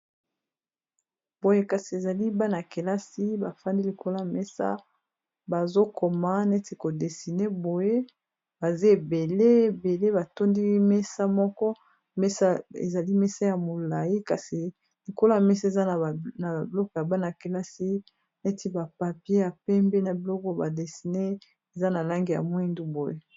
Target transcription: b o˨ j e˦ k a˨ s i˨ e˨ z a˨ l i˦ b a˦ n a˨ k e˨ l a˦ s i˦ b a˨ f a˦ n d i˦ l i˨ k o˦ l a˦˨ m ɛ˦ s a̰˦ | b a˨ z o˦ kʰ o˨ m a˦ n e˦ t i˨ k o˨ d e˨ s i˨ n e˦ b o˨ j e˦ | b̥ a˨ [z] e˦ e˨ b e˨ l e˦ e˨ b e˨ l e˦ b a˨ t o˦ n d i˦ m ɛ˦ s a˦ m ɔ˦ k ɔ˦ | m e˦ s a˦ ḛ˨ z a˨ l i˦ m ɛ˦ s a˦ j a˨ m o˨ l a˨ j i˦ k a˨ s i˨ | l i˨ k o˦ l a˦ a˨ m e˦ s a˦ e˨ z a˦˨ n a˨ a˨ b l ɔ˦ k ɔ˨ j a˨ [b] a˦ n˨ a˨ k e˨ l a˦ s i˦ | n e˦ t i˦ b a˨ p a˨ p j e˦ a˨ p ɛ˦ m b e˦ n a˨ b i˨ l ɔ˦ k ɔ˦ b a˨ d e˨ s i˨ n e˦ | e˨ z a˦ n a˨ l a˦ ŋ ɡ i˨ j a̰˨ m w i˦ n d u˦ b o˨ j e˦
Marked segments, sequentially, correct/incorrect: correct, correct

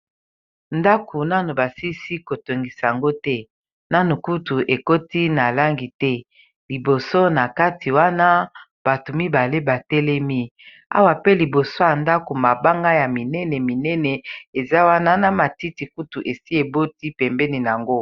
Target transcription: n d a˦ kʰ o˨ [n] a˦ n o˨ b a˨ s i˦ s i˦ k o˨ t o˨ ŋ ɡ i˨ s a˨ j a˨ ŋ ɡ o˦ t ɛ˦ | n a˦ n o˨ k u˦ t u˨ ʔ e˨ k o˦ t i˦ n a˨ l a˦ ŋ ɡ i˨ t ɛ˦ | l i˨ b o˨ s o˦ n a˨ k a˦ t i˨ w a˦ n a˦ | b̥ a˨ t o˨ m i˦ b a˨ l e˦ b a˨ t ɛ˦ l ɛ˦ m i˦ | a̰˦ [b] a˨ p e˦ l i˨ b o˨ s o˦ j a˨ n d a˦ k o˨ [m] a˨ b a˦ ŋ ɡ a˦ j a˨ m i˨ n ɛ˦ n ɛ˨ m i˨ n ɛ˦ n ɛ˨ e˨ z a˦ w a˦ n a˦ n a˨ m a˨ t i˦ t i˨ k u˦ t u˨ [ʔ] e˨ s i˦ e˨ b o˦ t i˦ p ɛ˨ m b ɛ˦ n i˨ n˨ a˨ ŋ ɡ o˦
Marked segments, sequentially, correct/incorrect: correct, incorrect: w, correct, correct

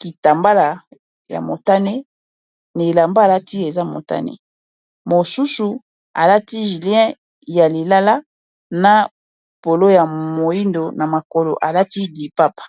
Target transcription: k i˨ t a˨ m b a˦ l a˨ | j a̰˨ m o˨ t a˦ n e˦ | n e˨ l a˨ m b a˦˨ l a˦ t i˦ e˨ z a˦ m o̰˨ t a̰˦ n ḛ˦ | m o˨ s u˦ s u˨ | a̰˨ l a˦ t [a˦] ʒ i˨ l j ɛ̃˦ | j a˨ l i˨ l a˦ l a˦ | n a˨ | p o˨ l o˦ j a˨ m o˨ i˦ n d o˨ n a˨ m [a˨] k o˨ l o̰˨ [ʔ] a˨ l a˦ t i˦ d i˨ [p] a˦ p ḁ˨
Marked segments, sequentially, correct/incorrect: incorrect: i˦, correct, correct, correct

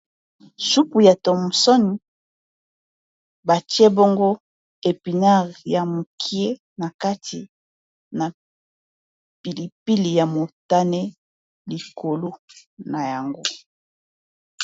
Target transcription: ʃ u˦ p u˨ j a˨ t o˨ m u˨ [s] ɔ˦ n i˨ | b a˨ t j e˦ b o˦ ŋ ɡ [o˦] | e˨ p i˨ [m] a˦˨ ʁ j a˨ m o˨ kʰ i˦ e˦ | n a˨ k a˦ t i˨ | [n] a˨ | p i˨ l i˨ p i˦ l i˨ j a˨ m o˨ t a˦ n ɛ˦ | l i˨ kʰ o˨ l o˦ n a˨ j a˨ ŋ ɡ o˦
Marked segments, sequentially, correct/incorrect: correct, correct, incorrect: n, correct

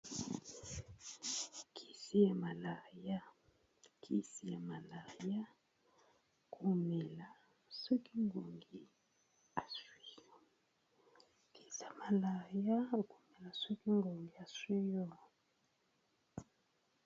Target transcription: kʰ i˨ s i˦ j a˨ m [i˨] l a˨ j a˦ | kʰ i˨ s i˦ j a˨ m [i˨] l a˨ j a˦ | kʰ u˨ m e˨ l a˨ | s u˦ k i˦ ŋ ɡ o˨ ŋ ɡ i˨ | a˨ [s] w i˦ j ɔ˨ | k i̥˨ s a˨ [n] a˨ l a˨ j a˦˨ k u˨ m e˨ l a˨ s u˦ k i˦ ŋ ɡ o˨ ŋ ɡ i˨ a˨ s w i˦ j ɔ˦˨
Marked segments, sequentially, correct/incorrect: incorrect: a˨, incorrect: a˨, correct, incorrect: m

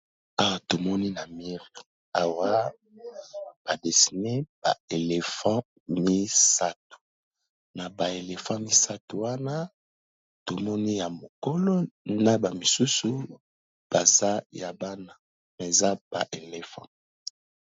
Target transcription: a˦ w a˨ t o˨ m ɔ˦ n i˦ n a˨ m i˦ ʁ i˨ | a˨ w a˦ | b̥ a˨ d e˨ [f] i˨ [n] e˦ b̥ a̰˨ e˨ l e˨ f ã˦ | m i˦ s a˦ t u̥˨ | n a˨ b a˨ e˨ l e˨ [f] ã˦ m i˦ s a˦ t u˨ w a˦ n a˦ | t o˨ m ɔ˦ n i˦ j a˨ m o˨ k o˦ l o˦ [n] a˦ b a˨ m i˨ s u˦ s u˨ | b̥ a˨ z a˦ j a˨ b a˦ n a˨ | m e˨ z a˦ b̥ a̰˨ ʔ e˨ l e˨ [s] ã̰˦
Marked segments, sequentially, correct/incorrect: incorrect: s, correct, correct, correct, incorrect: f

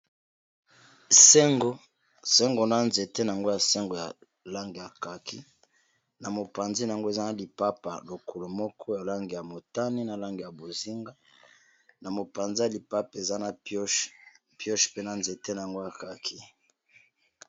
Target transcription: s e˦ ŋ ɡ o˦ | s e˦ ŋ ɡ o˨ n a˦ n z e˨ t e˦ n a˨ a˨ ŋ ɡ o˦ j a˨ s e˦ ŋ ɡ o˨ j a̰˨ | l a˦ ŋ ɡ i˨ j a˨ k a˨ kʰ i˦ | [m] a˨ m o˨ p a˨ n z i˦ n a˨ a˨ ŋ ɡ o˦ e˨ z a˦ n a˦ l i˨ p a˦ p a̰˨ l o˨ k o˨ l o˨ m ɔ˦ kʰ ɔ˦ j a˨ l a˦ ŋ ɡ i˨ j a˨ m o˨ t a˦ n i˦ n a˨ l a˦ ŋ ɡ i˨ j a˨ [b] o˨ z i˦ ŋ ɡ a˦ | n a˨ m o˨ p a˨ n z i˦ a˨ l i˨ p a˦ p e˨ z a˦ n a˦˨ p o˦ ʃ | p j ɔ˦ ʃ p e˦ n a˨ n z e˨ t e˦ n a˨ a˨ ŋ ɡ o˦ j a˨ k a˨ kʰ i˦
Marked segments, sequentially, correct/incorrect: incorrect: n, correct

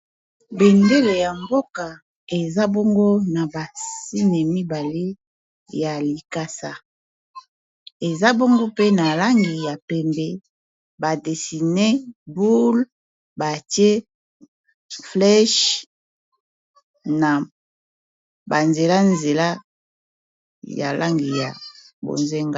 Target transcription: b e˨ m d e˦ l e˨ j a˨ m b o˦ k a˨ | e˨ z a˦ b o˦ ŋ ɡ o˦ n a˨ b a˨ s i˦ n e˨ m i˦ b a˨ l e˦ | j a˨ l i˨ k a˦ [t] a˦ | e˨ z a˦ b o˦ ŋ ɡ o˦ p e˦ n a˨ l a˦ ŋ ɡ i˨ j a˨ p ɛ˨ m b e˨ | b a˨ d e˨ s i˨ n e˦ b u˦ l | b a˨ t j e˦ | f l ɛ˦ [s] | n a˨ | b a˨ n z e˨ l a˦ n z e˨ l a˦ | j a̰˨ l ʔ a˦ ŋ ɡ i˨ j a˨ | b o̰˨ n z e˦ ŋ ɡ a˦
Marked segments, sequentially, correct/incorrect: incorrect: s, incorrect: ʃ

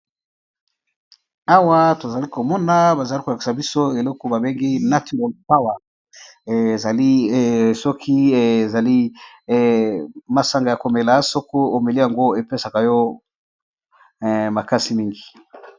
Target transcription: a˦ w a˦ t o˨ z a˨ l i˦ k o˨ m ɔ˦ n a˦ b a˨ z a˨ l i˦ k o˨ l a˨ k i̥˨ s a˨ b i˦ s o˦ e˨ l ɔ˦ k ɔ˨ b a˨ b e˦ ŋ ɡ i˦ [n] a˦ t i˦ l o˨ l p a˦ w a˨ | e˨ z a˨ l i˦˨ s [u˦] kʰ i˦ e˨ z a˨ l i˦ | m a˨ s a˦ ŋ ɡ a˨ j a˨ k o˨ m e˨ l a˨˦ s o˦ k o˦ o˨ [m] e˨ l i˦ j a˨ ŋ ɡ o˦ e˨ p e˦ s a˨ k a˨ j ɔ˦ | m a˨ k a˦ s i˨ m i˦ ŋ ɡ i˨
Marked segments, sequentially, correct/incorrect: correct, incorrect: ɔ˦, correct

